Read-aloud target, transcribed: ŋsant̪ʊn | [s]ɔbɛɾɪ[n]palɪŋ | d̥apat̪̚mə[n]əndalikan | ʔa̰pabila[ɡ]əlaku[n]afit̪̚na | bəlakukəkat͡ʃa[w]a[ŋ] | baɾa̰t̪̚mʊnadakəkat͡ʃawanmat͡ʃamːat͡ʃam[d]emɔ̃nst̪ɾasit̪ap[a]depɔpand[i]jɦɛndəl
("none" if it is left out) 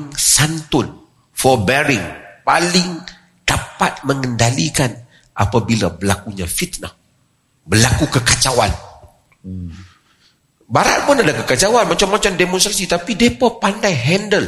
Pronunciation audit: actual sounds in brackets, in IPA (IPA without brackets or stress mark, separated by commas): f, ŋ, ŋ, b, ɲ, w, n, d, i, a